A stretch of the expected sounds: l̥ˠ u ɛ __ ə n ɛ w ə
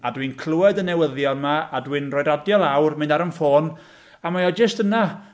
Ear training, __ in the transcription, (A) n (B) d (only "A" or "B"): B